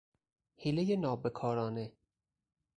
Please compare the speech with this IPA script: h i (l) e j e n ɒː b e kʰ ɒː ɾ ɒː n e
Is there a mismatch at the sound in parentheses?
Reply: no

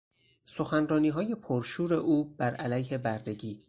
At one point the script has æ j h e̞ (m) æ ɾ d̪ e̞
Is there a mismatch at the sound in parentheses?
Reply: yes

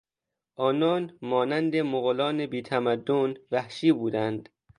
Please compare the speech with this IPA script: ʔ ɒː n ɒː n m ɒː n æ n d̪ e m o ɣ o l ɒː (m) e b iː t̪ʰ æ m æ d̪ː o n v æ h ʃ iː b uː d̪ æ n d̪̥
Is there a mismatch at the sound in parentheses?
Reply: yes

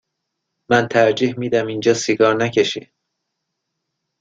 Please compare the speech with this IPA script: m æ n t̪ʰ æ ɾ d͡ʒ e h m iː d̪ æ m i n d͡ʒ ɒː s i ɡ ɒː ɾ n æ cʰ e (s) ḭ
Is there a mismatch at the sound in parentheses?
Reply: yes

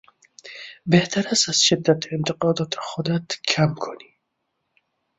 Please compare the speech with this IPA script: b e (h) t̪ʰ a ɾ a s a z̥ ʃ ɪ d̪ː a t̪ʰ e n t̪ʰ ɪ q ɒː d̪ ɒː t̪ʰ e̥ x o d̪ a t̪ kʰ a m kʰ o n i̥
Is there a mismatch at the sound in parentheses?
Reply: no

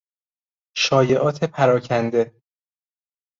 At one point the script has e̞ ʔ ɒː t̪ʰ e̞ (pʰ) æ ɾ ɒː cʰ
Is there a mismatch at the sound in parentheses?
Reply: no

